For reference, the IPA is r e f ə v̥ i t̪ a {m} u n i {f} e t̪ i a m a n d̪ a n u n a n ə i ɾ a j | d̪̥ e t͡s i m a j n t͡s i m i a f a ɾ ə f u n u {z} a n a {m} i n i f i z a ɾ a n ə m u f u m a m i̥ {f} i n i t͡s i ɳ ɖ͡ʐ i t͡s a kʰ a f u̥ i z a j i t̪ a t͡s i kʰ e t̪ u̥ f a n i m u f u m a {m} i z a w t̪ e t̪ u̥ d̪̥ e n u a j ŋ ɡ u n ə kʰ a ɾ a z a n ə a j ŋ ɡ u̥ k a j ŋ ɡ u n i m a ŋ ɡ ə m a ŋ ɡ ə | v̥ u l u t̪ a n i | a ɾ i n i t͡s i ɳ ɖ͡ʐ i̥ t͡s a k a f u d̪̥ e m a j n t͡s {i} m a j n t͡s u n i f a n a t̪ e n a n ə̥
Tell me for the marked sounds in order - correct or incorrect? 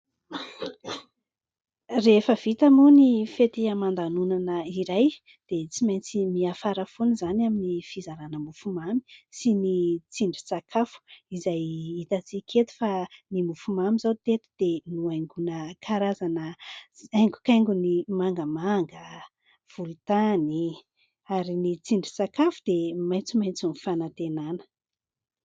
correct, correct, correct, correct, incorrect, correct, correct

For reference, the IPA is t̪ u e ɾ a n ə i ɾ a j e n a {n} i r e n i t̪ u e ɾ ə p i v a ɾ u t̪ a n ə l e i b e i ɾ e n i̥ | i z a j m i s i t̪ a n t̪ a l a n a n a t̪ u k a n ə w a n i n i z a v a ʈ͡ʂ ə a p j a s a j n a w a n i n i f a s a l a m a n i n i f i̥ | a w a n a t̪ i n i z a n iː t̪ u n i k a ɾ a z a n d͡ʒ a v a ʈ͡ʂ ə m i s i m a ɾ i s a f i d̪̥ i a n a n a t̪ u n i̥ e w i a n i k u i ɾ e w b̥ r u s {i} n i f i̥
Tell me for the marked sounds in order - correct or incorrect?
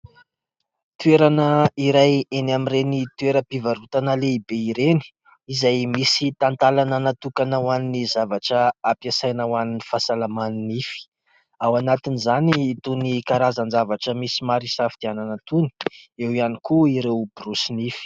incorrect, correct

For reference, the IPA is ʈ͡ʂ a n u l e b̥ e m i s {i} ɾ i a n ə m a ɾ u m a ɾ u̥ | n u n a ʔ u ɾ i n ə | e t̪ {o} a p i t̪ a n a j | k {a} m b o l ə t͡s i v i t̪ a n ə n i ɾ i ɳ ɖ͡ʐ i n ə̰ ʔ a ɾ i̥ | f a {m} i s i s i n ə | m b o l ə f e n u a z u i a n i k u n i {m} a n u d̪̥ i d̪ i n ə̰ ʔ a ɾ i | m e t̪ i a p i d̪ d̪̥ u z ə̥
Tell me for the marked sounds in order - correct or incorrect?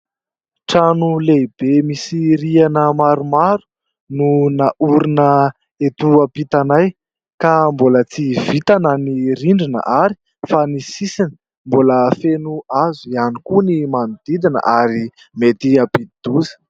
correct, incorrect, correct, incorrect, correct

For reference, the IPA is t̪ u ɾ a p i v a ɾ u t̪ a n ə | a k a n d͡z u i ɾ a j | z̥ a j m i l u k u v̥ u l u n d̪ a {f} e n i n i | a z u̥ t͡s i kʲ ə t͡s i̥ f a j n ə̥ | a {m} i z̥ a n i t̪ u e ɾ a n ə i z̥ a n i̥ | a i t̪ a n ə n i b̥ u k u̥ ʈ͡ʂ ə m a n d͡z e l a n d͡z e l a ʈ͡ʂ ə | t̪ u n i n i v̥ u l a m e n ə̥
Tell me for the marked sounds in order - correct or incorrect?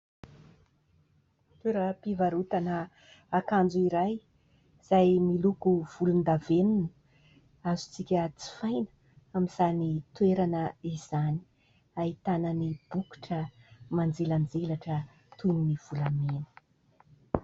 incorrect, correct

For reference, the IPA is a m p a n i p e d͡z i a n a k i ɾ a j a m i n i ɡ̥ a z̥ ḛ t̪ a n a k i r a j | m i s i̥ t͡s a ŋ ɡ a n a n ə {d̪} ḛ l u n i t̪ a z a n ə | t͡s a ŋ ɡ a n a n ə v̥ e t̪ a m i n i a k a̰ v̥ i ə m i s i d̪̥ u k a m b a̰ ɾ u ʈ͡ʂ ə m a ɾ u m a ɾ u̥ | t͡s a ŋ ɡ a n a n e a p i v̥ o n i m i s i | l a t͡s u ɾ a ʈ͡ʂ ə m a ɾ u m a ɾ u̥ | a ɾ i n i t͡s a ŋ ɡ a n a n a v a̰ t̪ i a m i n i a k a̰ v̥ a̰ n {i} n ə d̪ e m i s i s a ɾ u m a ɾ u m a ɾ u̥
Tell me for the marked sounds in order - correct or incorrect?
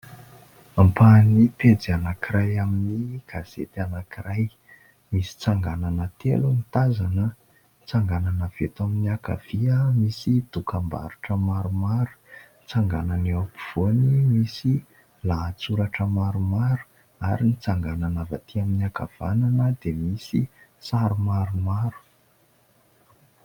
incorrect, incorrect

